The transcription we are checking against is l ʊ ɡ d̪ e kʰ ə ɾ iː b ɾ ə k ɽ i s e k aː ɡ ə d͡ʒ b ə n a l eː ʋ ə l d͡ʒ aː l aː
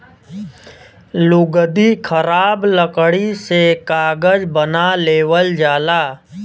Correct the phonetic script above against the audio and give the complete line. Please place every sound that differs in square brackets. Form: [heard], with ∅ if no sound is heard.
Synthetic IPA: l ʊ ɡ d̪ [i] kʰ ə ɾ [aː] b [l] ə k ɽ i s e k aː ɡ ə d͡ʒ b ə n a l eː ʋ ə l d͡ʒ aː l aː